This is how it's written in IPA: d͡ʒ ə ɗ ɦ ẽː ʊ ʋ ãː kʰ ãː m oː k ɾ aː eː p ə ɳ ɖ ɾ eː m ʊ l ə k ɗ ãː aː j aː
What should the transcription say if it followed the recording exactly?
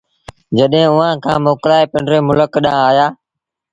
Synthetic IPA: d͡ʒ ə ɗ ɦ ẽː ʊ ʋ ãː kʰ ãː m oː k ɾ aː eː p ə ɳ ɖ ɾ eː m ʊ l ə k ɗ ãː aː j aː